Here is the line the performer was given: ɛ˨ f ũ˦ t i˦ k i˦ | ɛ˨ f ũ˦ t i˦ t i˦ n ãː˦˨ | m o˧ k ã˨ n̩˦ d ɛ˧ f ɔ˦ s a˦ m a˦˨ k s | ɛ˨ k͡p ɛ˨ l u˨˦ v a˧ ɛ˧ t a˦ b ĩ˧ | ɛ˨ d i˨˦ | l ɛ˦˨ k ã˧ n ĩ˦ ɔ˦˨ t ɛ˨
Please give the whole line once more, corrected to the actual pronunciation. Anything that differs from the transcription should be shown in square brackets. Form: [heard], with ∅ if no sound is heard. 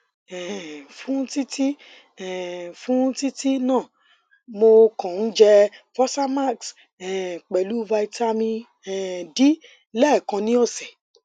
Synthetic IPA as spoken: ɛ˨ f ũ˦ t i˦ [t] i˦ | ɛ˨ f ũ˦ t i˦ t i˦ n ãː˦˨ | m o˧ k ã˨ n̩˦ [d͡ʒ] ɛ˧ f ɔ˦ s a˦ m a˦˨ k s | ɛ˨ k͡p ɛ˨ l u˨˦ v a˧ [i˧] t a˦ [m] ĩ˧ | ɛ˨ d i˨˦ | l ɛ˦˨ k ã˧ n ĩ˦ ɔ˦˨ [s] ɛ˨

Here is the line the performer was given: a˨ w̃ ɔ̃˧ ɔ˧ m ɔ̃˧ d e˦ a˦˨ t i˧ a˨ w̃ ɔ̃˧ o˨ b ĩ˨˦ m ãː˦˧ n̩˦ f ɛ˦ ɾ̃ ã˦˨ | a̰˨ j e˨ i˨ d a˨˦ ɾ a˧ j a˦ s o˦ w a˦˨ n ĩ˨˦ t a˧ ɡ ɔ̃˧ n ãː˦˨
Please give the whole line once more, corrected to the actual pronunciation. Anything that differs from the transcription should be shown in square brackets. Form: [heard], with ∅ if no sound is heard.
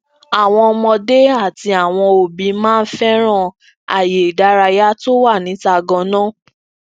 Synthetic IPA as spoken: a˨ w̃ ɔ̃˧ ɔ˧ m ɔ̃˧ d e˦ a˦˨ t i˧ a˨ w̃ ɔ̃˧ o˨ b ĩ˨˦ m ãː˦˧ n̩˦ f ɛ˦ ɾ̃ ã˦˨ | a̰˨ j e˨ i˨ d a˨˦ ɾ a˧ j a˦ [t] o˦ w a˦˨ n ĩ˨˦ t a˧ ɡ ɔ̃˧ n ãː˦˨

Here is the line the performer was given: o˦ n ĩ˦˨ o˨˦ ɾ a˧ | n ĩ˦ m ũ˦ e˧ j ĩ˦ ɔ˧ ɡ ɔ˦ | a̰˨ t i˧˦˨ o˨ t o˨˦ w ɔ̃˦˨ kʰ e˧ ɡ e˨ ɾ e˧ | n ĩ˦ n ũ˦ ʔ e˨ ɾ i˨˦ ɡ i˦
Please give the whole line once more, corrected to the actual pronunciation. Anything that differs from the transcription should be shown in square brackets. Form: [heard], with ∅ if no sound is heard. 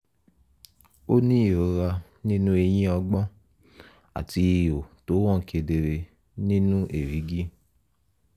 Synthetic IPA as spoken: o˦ n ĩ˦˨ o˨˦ ɾ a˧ | n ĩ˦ [n] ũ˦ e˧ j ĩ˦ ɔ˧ [ɡ͡b] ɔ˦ | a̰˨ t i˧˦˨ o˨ t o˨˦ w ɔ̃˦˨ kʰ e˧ [d] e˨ ɾ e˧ | n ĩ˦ n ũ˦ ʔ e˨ ɾ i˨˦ ɡ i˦

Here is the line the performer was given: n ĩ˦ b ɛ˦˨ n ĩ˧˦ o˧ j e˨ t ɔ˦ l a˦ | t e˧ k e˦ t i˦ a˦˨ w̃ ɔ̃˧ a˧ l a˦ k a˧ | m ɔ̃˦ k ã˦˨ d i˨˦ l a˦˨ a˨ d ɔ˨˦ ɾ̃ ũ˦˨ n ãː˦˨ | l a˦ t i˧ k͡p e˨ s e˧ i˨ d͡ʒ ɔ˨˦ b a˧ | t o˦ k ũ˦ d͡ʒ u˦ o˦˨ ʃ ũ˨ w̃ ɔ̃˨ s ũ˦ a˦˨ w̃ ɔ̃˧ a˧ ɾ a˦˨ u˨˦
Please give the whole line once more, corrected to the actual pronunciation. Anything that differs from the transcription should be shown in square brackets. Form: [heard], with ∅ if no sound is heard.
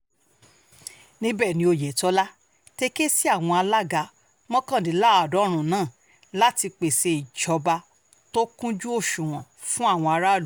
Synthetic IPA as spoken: n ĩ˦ b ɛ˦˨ n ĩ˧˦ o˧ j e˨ t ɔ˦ l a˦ | t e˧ k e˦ [s] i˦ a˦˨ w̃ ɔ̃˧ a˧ l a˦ [ɡ] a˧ | m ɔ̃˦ k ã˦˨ d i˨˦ l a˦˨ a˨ d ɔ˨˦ ɾ̃ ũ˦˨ n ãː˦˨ | l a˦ t i˧ k͡p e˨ s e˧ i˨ d͡ʒ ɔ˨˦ b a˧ | t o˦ k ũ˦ d͡ʒ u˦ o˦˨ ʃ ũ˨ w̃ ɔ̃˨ [f] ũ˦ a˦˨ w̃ ɔ̃˧ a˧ ɾ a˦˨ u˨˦

